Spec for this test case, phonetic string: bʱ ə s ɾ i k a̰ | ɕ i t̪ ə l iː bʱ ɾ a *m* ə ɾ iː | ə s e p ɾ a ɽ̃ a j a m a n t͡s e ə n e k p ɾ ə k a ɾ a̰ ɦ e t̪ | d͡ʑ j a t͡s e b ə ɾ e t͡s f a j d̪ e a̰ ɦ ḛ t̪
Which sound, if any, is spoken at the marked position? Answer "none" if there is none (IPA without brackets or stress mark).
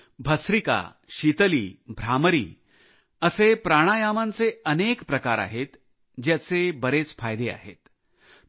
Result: m